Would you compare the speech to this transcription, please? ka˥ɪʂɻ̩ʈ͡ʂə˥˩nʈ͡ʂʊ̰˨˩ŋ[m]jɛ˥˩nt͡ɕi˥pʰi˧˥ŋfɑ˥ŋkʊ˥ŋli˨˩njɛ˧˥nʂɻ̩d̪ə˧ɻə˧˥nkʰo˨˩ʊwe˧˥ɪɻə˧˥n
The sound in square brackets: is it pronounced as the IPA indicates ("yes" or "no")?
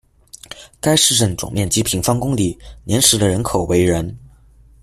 yes